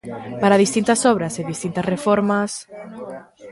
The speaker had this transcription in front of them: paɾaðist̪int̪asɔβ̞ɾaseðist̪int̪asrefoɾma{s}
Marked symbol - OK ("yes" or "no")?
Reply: yes